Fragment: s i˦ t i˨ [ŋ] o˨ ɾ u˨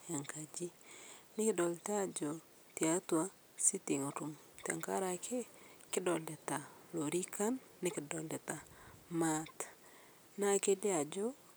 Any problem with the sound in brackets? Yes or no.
no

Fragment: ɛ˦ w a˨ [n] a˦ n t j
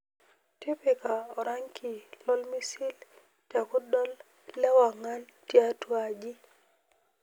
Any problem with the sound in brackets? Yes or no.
yes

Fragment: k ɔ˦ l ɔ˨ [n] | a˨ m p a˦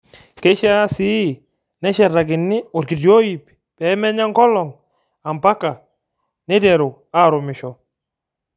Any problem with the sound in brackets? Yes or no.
yes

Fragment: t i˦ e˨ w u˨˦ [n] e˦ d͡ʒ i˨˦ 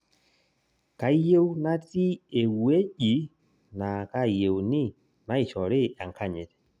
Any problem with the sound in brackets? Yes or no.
yes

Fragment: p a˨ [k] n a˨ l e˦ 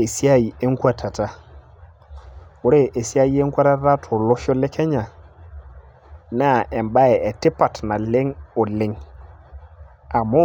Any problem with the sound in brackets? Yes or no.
yes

